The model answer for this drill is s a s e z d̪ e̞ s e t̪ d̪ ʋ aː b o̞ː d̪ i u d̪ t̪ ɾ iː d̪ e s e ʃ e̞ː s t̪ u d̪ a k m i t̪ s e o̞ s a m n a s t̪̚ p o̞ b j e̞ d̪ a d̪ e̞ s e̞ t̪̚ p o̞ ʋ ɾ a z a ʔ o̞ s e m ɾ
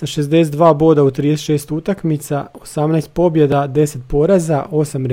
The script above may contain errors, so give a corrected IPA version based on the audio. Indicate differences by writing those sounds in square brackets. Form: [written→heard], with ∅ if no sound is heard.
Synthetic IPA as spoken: s a [s→ʃ] e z d̪ e̞ s e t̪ d̪ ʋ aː b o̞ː d̪ [i→a] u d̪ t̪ ɾ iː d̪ e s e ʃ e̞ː s t̪ u [d̪→t̪] a k m i t̪ s [e→a] o̞ s a m n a s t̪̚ p o̞ b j e̞ d̪ a d̪ e̞ s e̞ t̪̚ p o̞ [ʋ→∅] ɾ a z a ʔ o̞ s [e→a] m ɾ